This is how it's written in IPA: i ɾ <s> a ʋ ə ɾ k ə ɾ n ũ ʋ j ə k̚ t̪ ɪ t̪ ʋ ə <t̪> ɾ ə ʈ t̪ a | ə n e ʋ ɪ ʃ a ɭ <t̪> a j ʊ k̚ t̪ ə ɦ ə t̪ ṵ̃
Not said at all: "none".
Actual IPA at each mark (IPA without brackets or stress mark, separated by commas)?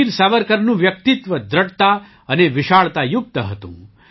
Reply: s, d̪, t̪